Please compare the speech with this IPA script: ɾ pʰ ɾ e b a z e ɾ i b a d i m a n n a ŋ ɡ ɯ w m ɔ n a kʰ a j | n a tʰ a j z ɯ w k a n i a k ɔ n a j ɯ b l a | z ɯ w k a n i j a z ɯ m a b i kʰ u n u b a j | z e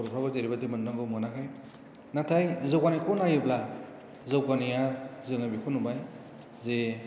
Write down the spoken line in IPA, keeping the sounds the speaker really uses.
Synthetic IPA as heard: ɾ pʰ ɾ a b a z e ɾ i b a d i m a n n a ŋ ɡ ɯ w m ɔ n a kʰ a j | n a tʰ a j z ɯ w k a n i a k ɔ n a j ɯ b l a | z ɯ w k a n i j a z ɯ ŋ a b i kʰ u n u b a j | z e